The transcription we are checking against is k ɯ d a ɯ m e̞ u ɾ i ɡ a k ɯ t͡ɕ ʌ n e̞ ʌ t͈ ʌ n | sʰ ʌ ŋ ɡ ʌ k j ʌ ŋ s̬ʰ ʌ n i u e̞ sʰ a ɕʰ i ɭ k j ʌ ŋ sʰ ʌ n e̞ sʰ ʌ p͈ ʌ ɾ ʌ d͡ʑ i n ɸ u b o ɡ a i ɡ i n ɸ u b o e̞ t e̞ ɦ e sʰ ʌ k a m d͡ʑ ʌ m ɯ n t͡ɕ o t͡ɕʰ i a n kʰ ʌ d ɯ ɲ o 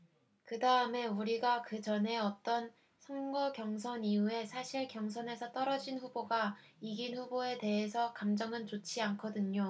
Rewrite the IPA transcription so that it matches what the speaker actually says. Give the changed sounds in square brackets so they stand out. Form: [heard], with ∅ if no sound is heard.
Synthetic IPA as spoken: k ɯ d a ɯ m e̞ u ɾ i ɡ a k ɯ t͡ɕ ʌ n e̞ ʌ t͈ ʌ n | sʰ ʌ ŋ ɡ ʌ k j ʌ ŋ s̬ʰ ʌ n i u e̞ sʰ a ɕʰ i ɭ k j ʌ ŋ sʰ ʌ n e̞ sʰ ʌ [t͈] ʌ ɾ ʌ d͡ʑ i n ɸ u b o ɡ a i ɡ i n ɸ u b o e̞ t e̞ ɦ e sʰ ʌ k a m d͡ʑ ʌ [ŋ] ɯ n t͡ɕ o t͡ɕʰ i a n kʰ ʌ d ɯ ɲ o